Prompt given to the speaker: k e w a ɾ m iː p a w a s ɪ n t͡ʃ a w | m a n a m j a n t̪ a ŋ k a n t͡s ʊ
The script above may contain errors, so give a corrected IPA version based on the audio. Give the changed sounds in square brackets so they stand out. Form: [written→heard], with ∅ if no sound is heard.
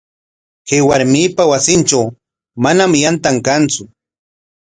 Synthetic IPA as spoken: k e w a ɾ m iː p a w a s ɪ n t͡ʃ a w | m a n a m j a n t̪ a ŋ k a n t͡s ʊ